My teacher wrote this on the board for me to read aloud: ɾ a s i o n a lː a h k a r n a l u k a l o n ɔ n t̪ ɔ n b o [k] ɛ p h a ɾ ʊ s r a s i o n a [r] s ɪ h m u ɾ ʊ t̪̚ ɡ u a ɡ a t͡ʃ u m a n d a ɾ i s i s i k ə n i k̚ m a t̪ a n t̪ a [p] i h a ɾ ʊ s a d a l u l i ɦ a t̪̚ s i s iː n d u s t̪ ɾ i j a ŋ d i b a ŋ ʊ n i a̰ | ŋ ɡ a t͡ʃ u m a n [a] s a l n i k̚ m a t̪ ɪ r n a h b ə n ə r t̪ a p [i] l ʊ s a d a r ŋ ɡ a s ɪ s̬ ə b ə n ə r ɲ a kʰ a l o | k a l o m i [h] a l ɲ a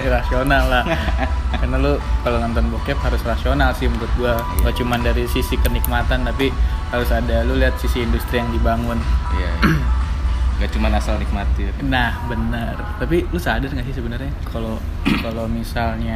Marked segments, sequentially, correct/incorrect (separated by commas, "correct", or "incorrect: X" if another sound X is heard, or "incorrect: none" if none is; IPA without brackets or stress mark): correct, incorrect: l, correct, correct, correct, incorrect: s